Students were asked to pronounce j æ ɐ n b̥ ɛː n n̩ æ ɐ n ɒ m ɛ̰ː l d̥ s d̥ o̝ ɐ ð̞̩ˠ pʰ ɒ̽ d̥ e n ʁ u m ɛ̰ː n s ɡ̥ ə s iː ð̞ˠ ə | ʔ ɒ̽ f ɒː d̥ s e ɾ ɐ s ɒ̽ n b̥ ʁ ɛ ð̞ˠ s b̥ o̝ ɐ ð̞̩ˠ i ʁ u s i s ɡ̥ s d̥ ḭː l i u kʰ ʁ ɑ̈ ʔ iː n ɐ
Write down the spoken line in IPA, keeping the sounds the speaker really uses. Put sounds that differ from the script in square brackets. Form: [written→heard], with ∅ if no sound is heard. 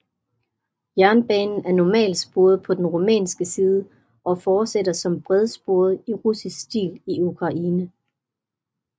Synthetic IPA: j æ ɐ n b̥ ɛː n n̩ æ ɐ n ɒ m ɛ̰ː l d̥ s [d̥→b̥] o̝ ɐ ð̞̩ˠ pʰ ɒ̽ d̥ e n ʁ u m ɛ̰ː n s ɡ̥ ə s iː ð̞ˠ ə | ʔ ɒ̽ f ɒː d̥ s e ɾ ɐ s ɒ̽ [n→m] b̥ ʁ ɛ ð̞ˠ s b̥ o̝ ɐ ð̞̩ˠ i ʁ u s i s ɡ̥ s d̥ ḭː l i u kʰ ʁ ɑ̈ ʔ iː n [ɐ→ə]